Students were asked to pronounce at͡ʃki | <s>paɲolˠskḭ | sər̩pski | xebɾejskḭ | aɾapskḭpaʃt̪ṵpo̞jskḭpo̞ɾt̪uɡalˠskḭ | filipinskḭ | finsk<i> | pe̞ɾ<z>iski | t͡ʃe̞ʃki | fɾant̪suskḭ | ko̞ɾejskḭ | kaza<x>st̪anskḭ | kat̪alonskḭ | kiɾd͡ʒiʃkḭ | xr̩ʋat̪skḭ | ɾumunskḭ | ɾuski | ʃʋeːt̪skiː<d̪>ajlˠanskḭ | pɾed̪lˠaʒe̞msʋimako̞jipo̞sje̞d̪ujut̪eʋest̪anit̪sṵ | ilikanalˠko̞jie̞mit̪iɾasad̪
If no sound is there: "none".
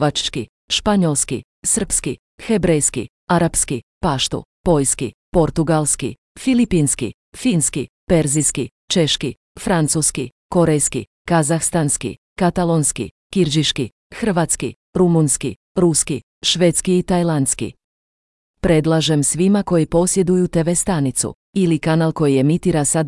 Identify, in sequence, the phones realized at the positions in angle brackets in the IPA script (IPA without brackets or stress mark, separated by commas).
ʃ, i, z, x, t̪